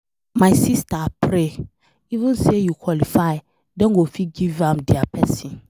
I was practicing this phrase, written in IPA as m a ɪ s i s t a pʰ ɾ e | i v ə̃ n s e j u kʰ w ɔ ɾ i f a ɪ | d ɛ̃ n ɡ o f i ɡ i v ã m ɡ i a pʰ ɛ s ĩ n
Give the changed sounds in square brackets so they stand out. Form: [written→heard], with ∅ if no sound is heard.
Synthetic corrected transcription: m a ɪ s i s t a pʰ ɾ e | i v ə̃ n s e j u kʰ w ɔ [ɾ→l] i f a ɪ | d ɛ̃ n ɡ o f i ɡ i v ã m [ɡ→d] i a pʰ ɛ s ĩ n